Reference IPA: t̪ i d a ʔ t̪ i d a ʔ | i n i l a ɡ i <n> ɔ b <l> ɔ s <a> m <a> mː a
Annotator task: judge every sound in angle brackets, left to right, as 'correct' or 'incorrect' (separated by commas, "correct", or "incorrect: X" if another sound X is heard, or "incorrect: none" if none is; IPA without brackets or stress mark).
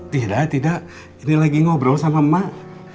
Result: incorrect: ŋ, incorrect: ɾ, correct, correct